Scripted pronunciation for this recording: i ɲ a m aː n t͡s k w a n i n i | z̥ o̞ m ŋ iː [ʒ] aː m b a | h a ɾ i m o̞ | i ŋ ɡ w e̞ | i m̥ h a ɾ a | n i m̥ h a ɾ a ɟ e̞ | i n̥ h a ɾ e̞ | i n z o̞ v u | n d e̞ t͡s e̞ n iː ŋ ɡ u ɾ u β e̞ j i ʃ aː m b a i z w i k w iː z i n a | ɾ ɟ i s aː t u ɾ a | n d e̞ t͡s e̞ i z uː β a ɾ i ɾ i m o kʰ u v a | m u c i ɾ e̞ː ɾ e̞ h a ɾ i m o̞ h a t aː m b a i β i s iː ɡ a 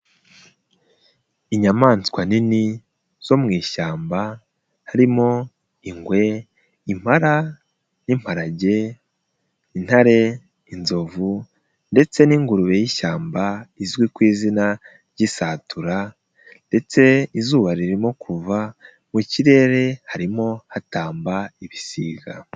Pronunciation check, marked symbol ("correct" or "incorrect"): incorrect